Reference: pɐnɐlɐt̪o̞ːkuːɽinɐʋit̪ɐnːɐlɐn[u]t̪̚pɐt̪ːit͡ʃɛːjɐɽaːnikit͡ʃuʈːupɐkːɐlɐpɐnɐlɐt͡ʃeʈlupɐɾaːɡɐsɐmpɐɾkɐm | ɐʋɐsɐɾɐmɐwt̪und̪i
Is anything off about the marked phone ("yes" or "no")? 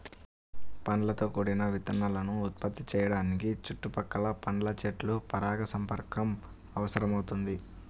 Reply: yes